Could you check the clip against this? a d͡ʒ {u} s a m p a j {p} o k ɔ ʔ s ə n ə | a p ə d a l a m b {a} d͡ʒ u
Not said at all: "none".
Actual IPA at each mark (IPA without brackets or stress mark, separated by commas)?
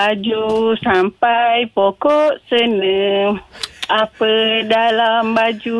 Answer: u, p, a